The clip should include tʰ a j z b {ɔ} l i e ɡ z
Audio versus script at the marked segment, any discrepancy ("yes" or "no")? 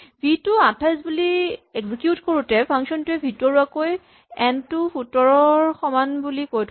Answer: yes